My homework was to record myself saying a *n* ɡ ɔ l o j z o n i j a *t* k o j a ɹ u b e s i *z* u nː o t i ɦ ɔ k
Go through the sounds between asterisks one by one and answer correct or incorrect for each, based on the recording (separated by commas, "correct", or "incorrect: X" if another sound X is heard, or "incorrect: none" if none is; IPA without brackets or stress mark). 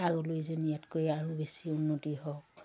incorrect: none, correct, incorrect: none